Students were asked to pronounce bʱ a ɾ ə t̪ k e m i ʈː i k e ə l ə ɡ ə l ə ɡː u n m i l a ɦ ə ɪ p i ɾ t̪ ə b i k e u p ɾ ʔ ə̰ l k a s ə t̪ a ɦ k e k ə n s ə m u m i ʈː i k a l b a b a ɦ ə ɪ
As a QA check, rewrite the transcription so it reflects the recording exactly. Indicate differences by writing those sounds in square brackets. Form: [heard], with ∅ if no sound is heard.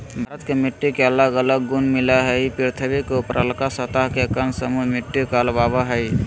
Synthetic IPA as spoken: bʱ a ɾ ə t̪ k e m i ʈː i k e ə l ə ɡ ə l ə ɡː u n m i l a ɦ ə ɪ p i ɾ [t̪ʰ] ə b i k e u p ɾ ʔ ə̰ l k a s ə t̪ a ɦ k e k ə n s ə m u m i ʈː i k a l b a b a ɦ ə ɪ